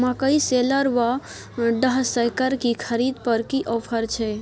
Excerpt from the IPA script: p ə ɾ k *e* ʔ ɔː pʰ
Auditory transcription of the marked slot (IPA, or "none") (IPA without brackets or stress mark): i